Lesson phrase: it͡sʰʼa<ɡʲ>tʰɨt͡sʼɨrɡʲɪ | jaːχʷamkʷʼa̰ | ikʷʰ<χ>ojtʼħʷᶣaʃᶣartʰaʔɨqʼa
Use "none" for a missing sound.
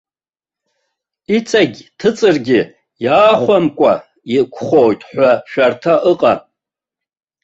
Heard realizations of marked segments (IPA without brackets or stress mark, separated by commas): ɡʲ, χ